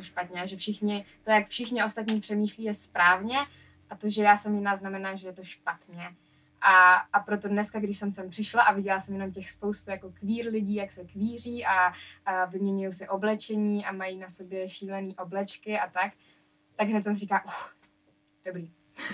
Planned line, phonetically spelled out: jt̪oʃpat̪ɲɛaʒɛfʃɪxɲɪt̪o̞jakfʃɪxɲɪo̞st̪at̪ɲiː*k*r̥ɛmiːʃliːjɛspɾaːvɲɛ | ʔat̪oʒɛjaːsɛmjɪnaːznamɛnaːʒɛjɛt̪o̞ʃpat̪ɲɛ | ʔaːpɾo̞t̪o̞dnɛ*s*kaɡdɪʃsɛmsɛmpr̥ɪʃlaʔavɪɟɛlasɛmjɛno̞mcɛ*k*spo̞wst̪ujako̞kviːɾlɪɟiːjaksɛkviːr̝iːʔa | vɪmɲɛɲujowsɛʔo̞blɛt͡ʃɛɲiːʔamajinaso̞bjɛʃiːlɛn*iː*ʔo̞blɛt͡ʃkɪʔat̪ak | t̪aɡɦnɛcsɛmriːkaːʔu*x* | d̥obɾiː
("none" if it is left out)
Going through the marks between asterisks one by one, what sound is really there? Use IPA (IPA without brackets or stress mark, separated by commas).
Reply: p, s, x, iː, x